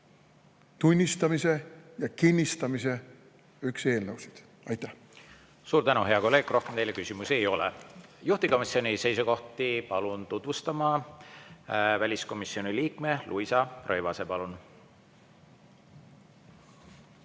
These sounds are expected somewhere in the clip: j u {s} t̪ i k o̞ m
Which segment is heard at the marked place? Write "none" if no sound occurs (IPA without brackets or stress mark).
h